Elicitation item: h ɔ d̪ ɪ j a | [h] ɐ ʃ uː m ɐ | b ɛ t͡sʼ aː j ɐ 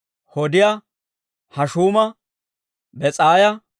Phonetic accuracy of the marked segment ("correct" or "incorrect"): correct